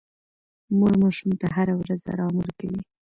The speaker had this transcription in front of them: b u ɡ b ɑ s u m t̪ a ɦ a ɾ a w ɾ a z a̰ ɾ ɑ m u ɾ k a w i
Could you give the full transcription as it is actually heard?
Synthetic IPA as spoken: m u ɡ m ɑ ʃ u m t̪ a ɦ a ɾ a w ɾ a z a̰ ɾ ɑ m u ɾ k a w i

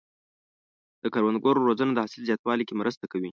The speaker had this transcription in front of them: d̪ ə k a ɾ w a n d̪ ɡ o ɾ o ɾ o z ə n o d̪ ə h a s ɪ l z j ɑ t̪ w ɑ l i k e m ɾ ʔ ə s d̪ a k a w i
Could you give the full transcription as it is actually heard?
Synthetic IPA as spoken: d̪ ə k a ɾ w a n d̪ ɡ o ɾ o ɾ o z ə n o d̪ ə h a s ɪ l z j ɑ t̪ w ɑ l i k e m ɾ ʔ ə s t̪ a k a w i

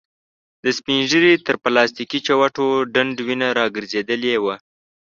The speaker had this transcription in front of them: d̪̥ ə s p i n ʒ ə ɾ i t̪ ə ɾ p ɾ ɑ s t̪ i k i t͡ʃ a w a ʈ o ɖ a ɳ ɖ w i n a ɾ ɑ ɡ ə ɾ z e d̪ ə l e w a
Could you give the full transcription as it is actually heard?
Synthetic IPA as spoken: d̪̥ ə s p i n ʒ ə ɾ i t̪ ə ɾ p l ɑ s t̪ i k i t͡ʃ a w a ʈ o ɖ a ɳ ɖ w i n a ɾ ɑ ɡ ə ɾ z e d̪ ə l e w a

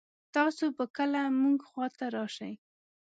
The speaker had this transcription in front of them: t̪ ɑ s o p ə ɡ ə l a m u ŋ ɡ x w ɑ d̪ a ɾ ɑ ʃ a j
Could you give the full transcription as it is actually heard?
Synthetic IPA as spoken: t̪ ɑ s o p ə k ə l a m u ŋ ɡ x w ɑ t̪ a ɾ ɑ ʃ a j

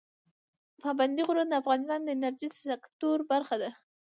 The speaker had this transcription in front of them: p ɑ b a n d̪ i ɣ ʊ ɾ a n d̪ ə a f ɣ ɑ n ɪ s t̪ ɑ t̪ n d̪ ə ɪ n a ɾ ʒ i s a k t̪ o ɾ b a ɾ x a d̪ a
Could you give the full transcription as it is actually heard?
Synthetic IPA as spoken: p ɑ b a n d̪ i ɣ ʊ ɾ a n d̪ ə a f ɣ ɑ n ɪ s t̪ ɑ n d̪ ə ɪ n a ɾ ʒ i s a k t̪ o ɾ b a ɾ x a d̪ a

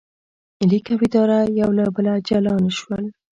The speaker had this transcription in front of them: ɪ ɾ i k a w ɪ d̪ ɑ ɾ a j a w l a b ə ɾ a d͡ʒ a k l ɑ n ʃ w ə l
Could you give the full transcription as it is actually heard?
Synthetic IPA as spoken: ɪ l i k a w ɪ d̪ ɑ ɾ a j a w l a b ə l a d͡ʒ a l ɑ n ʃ w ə l

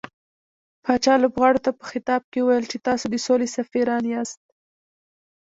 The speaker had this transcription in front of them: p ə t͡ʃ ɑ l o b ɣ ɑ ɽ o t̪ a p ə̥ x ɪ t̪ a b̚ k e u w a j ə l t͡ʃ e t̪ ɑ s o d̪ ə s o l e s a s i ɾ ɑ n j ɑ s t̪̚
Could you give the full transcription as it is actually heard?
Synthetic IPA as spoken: p ɑ t͡ʃ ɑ l o b ɣ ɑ ɽ o t̪ a p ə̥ x ɪ t̪ ɑ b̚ k e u w a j ə l t͡ʃ e t̪ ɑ s o d̪ ə s o l e s a f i ɾ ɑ n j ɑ s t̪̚

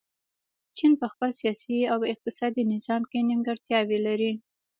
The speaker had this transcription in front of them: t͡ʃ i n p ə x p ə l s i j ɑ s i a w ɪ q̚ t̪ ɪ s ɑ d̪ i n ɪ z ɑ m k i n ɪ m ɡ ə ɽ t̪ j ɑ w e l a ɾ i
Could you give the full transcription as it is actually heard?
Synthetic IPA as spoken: t͡ʃ i n p ə x p ə l s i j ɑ s i a w ɪ q̚ t̪ ɪ s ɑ d̪ i n ɪ z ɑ m k e n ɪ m ɡ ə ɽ t̪ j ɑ w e l a ɾ i

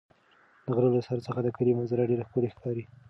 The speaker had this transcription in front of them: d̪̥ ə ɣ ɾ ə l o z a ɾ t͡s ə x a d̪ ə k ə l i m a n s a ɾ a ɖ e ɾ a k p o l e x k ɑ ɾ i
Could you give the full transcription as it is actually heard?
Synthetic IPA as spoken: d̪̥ ə ɣ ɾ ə l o s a ɾ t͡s ə x a d̪ ə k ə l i m a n z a ɾ a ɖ e ɾ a x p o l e x k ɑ ɾ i

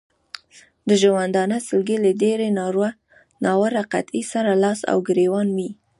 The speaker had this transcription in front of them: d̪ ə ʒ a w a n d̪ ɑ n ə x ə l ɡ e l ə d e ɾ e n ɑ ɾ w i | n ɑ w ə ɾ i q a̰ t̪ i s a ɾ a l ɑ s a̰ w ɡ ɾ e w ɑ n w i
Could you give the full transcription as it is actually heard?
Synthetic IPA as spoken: d̪ ə ʒ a w a n d̪ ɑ n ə s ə l ɡ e l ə d e ɾ e n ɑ ɾ w a | n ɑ w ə ɾ a q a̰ t̪ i s a ɾ a l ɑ s a̰ w ɡ ɾ e w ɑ n w i

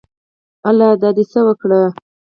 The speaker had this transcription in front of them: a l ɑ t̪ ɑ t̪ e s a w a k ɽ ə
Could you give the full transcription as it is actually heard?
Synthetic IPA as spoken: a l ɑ d̪ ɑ d̪ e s ə w ə k ɽ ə

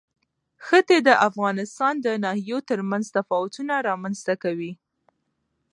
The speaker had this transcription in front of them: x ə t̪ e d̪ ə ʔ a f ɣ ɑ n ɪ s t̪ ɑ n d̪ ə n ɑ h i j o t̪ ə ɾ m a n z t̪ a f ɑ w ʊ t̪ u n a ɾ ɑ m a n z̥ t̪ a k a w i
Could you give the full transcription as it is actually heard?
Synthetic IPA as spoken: x ə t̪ e d̪ ə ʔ a f ɣ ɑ n ɪ s t̪ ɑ n d̪ ə n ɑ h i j o t̪ ə ɾ m a n z t̪ a f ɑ w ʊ t̪ u n a ɾ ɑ m a n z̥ t̪ a k a w i

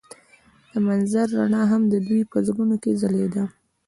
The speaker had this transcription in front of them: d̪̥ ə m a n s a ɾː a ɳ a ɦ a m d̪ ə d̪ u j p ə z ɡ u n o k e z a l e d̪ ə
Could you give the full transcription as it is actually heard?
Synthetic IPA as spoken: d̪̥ ə m a n z a ɾː a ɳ ɑ ɦ a m d̪ ə d̪ u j p ə z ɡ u n o k e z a l e d̪ a

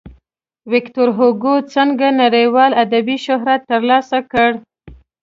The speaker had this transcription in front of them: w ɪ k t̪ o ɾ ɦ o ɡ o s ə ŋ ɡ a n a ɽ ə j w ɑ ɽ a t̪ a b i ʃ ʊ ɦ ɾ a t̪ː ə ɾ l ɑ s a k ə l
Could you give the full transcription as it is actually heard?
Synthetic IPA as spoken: w ɪ k t̪ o ɾ ɦ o ɡ o t͡s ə ŋ ɡ a n a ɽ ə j w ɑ l a d̪ a b i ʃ ʊ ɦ ɾ a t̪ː ə ɾ l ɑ s a k ə ɽ

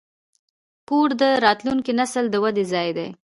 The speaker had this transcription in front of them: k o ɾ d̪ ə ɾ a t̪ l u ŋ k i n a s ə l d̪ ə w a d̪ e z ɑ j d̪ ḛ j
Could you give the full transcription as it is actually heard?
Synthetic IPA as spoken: k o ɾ d̪ ə ɾ ɑ t̪ l u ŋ k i n a s ə l d̪ ə w a d̪ e z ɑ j d̪ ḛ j

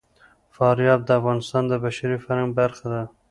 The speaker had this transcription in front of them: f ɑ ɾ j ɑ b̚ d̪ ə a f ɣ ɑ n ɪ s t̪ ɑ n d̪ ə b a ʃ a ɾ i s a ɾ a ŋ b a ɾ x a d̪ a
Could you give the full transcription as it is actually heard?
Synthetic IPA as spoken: f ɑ ɾ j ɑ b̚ d̪ ə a f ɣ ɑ n ɪ s t̪ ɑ n d̪ ə b a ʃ a ɾ i f a ɾ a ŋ b a ɾ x a d̪ a

